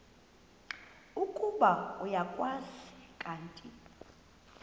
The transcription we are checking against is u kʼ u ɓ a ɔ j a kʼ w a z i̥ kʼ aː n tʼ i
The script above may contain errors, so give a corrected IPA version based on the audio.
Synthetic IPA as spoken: u kʼ u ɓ a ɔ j a kʼ w a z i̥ kʼ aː n tʼ i